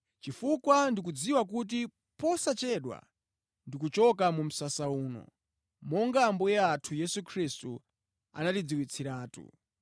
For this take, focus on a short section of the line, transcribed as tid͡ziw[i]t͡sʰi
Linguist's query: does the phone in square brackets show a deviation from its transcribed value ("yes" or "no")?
no